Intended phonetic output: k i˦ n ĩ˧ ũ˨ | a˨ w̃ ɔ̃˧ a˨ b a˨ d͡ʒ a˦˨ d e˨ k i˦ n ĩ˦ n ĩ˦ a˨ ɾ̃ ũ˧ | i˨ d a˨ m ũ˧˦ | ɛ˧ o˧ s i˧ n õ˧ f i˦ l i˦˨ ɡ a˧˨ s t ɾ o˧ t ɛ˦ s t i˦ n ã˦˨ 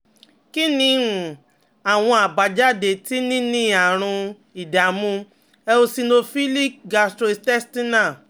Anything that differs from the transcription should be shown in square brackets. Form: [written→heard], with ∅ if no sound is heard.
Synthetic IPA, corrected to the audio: k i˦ n ĩ˧ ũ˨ | a˨ w̃ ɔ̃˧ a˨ b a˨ d͡ʒ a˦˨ d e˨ [k→t] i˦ n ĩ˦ n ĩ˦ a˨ ɾ̃ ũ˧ | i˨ d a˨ m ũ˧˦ | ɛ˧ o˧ s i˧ n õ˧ f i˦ l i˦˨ ɡ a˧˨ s t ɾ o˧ t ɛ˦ s t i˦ n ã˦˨